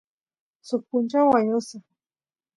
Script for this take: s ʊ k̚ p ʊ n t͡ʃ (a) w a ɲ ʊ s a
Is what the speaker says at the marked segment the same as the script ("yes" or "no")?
yes